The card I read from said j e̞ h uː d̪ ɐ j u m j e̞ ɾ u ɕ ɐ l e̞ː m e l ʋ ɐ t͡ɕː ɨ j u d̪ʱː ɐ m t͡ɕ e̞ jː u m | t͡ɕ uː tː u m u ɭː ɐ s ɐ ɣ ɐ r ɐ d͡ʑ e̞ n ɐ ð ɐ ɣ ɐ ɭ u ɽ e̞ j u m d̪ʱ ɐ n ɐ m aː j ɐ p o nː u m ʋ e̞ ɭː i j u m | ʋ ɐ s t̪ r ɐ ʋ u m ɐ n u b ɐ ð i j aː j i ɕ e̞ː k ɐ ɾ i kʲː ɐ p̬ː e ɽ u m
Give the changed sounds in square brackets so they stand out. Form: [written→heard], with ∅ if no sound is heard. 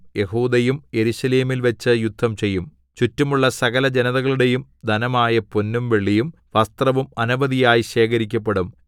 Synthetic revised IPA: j e̞ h uː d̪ ɐ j u m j e̞ ɾ u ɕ ɐ l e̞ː m [e→i] l ʋ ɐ t͡ɕː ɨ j u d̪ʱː ɐ m t͡ɕ e̞ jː u m | t͡ɕ [uː→u] tː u m u ɭː ɐ s ɐ ɣ ɐ [r→l] ɐ d͡ʑ e̞ n ɐ ð ɐ ɣ ɐ ɭ u ɽ e̞ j u m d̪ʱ ɐ n ɐ m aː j ɐ p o nː u m ʋ e̞ ɭː i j u m | ʋ ɐ s t̪ r ɐ ʋ u m ɐ n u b ɐ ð i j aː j i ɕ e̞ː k ɐ ɾ i kʲː ɐ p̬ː e ɽ u m